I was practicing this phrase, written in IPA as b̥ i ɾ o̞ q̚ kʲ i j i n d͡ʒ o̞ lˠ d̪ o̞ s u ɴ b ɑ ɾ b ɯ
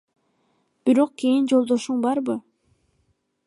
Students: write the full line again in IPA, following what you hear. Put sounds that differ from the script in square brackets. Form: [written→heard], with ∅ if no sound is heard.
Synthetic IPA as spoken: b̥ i ɾ o̞ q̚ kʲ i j i n d͡ʒ o̞ lˠ d̪ o̞ [s→ʃ] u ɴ b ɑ ɾ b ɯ